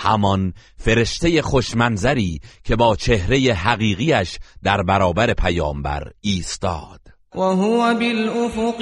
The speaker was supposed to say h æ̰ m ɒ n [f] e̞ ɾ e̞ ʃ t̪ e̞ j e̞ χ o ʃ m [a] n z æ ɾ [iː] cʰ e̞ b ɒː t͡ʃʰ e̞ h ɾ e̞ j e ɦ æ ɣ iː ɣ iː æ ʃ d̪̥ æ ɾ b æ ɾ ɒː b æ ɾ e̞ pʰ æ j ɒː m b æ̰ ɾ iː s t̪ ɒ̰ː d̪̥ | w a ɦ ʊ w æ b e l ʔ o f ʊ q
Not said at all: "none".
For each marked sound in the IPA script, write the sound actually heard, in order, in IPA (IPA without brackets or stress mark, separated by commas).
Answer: f, æ, iː